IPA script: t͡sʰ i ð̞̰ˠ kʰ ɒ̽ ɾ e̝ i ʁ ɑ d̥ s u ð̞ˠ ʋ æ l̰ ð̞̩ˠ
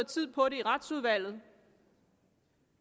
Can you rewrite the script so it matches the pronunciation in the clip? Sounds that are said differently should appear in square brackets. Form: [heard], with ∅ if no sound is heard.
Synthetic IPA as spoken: t͡sʰ i ð̞̰ˠ [pʰ] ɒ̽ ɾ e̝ i ʁ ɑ d̥ s u ð̞ˠ ʋ æ l̰ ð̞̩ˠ